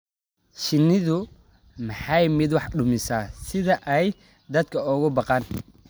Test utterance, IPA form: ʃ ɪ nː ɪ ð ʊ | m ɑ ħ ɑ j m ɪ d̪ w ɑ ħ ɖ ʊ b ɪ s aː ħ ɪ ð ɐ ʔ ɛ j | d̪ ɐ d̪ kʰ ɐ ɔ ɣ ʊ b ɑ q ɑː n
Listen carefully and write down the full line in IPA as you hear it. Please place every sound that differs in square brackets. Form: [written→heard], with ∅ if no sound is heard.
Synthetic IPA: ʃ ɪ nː ɪ ð ʊ | m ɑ ħ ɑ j m ɪ d̪ w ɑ ħ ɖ ʊ [b→m] ɪ s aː [ħ→s] ɪ ð ɐ ʔ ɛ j | d̪ ɐ d̪ kʰ ɐ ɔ ɣ ʊ b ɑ q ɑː n